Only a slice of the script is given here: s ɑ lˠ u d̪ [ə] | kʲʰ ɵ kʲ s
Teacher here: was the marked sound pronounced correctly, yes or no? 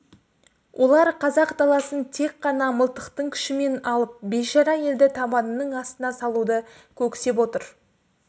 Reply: yes